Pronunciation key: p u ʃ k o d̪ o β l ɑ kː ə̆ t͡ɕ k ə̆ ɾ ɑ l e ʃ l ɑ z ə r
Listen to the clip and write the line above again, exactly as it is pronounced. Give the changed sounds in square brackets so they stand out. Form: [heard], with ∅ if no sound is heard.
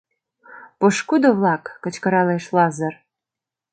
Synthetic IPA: p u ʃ k [u] d̪ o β l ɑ kː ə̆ t͡ɕ k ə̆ ɾ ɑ l e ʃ l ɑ z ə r

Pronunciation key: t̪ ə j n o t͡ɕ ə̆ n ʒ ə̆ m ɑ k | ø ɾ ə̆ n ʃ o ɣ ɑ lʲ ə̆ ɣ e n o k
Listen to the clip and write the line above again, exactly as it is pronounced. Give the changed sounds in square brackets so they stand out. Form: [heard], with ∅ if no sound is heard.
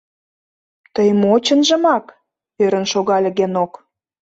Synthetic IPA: t̪ ə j [m] o t͡ɕ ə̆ n ʒ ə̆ m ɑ k | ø ɾ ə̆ n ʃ o ɣ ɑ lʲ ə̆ ɣ e n o k

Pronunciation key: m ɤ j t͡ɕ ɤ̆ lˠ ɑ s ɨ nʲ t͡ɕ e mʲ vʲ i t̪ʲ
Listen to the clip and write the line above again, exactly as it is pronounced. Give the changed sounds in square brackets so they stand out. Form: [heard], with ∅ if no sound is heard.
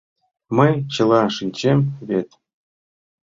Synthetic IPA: m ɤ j t͡ɕ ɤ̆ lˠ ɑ [ʂ] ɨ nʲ t͡ɕ e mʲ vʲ [e] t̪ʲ

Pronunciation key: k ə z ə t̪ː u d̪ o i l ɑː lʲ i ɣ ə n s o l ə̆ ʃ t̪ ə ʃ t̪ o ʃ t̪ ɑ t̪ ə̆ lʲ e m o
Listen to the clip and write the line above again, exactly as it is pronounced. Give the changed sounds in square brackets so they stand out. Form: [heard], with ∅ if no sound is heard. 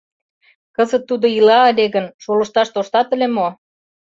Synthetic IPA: k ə z ə t̪ː u d̪ o i l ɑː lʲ [e] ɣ ə n [ʃ] o l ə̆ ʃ t̪ [ɑ] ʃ t̪ o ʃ t̪ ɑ t̪ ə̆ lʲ e m o

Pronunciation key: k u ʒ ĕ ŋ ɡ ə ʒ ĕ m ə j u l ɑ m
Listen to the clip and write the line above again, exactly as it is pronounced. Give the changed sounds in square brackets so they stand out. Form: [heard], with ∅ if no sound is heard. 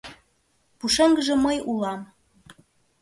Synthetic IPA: [p] u [ʃ] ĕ ŋ ɡ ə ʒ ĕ m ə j u l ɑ m

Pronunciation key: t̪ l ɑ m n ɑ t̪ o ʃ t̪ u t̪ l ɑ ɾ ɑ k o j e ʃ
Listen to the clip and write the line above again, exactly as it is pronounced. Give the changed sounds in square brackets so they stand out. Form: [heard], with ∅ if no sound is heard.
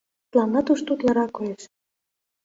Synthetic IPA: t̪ l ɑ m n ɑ t̪ [u] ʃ t̪ u t̪ l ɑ ɾ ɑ k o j e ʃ

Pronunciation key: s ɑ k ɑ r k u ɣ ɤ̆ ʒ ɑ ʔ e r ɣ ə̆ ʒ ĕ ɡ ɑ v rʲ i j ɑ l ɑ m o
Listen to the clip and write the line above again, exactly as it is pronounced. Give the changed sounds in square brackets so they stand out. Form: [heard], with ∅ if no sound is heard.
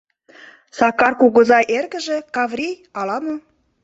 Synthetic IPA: s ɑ k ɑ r k u ɣ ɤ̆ [z] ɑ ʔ e r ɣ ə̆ ʒ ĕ [k] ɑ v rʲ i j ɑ l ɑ m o

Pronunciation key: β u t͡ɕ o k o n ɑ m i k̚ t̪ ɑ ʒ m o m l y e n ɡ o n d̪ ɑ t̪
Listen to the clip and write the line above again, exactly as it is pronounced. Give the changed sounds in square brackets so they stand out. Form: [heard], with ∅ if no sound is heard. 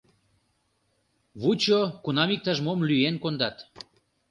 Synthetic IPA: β u t͡ɕ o k [u] n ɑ m i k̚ t̪ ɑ ʒ m o m l y e n [k] o n d̪ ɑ t̪

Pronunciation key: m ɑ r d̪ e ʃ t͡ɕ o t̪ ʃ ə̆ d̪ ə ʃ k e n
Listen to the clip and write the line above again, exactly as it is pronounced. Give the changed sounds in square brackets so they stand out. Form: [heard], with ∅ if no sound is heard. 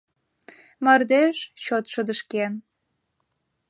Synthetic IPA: m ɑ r d̪ e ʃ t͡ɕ o t̪ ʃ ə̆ d̪ ə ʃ k e n

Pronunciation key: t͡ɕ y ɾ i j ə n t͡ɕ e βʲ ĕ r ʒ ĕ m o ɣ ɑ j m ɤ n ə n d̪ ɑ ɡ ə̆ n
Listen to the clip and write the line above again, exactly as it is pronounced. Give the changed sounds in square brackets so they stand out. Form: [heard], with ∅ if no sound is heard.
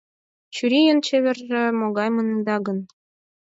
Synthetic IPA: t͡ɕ y ɾ i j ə n t͡ɕ e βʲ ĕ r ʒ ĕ m o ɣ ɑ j m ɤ n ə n d̪ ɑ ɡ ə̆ n

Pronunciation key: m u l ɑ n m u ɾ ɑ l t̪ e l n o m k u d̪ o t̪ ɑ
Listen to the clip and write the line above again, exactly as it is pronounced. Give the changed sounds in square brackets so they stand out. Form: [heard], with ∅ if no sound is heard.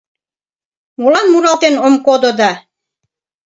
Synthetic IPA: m u l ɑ n m u ɾ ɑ l t̪ e [∅] n o m k [o] d̪ o [d̪] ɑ

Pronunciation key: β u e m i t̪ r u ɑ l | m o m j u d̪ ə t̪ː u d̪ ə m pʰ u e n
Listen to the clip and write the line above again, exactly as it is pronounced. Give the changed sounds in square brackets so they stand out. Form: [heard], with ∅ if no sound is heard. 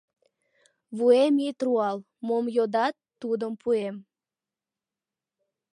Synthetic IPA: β u e m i t̪ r u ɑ l | m o m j [o] d̪ [ɑ] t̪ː u d̪ ə m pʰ u e [m]

